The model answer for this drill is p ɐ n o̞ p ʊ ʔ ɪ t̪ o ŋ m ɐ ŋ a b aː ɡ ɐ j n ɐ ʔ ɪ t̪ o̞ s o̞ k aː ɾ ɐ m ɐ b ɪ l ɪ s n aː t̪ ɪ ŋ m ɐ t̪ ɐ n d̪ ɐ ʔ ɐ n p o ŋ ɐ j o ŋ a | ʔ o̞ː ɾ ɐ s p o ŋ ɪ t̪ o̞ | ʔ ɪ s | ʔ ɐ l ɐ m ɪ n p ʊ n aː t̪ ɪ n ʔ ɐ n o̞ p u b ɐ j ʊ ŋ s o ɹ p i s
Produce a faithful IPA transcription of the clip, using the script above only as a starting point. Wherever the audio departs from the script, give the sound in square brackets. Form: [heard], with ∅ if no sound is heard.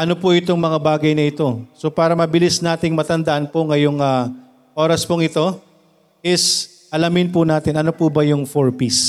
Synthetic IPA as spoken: [ʔ] ɐ n o̞ p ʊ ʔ ɪ t̪ o ŋ m ɐ ŋ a b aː ɡ ɐ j n ɐ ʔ ɪ t̪ o̞ s o̞ [p] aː ɾ ɐ m ɐ b ɪ l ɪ s n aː t̪ ɪ ŋ m ɐ t̪ ɐ n d̪ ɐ ʔ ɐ n p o ŋ ɐ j o ŋ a | ʔ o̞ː ɾ ɐ s p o ŋ ɪ t̪ o̞ | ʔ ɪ s | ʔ ɐ l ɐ m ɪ n p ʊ n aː t̪ ɪ n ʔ ɐ n o̞ p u b ɐ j ʊ ŋ [f] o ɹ p i s